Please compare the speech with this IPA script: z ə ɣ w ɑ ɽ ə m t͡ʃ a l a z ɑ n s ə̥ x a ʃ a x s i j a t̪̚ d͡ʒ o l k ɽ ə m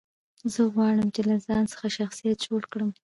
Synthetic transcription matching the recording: z ə ɣ w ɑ ɽ ə m t͡ʃ e l a z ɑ n s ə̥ x a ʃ a x s i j a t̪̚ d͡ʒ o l k ɽ ə m